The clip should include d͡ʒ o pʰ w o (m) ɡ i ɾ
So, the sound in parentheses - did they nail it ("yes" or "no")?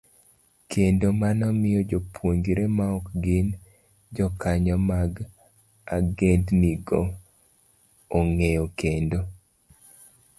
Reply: no